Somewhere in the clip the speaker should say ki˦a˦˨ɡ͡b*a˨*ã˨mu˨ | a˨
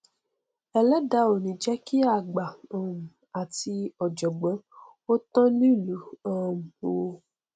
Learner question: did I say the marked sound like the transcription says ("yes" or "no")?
yes